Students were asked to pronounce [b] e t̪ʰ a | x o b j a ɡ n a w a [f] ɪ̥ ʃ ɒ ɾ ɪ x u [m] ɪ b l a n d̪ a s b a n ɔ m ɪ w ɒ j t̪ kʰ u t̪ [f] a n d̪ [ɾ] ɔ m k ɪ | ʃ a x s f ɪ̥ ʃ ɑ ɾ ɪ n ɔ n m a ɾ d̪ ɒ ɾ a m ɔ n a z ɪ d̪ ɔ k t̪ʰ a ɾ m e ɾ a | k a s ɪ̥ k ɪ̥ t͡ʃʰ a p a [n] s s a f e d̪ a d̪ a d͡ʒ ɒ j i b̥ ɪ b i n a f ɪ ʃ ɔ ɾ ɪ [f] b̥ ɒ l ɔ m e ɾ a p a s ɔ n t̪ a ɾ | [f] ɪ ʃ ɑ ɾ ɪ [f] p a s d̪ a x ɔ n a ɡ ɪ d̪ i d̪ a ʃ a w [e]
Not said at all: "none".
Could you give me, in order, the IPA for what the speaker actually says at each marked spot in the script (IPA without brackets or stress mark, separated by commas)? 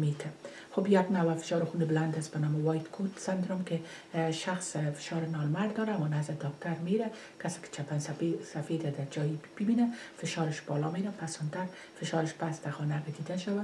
m, f, n, s, ɾ, n, ʃ, f, ʃ, a